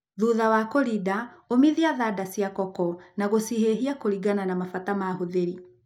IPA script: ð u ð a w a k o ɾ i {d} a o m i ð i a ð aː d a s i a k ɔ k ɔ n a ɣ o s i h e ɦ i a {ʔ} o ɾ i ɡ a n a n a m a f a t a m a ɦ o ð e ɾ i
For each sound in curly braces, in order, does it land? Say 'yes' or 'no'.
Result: yes, no

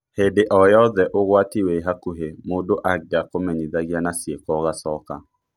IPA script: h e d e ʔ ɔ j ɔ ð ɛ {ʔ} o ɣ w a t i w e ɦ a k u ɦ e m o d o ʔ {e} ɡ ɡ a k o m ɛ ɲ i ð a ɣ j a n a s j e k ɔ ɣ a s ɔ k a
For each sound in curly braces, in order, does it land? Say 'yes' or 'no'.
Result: yes, no

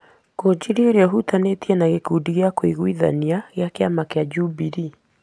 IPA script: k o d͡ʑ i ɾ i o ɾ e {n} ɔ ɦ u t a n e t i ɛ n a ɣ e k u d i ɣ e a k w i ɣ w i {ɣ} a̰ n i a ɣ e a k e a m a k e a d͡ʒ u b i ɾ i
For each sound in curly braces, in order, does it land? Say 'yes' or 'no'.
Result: no, no

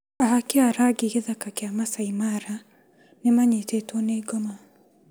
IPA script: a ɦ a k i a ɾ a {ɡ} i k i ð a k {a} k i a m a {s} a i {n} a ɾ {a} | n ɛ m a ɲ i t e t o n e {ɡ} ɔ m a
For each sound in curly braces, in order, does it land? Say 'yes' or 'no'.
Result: yes, yes, yes, no, yes, yes

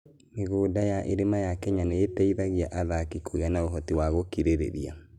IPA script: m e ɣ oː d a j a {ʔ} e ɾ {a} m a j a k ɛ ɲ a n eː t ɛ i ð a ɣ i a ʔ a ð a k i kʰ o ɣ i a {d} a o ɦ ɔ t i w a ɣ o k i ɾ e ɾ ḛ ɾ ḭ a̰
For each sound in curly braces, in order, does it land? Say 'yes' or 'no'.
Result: yes, no, no

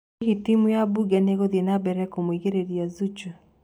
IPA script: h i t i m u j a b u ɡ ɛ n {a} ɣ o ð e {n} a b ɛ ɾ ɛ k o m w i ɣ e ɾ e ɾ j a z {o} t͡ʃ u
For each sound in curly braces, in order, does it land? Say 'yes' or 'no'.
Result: no, yes, no

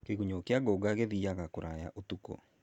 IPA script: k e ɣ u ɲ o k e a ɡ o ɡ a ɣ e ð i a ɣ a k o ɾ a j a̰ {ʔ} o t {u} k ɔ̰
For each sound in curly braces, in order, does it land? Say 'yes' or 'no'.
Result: yes, yes

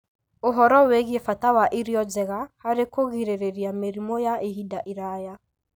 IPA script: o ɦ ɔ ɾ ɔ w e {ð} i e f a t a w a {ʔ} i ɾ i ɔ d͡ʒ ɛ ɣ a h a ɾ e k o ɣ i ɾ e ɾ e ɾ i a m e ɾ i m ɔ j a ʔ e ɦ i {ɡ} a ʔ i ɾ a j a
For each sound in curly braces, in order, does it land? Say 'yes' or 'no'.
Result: no, yes, no

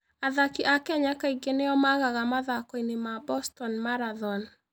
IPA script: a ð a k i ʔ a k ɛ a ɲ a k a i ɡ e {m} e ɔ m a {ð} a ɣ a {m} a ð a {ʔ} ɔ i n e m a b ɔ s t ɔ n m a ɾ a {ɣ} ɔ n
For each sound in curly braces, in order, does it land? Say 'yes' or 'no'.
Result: no, no, yes, no, no

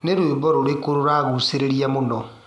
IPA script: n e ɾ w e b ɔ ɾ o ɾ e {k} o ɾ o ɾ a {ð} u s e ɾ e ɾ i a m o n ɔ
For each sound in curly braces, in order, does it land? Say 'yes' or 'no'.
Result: yes, no

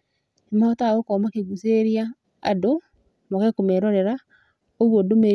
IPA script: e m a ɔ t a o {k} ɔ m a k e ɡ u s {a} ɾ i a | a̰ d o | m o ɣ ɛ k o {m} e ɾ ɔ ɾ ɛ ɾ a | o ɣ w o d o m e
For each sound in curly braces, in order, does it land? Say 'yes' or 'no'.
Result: yes, no, yes

